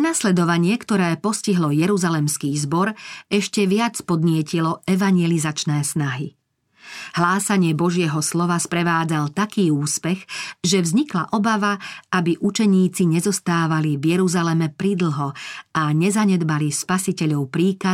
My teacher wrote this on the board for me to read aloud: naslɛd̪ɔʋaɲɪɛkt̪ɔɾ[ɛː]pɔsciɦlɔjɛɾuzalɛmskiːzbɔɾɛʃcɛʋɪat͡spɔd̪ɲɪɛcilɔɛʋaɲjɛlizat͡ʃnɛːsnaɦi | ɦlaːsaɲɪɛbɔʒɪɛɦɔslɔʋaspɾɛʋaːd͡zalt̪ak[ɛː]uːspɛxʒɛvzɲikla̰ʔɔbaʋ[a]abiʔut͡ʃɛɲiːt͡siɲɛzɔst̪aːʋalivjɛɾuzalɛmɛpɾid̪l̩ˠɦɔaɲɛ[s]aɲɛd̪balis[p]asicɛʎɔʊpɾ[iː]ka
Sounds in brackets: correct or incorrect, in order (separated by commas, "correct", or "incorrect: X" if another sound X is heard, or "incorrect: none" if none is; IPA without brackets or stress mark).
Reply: correct, incorrect: iː, correct, incorrect: z, correct, correct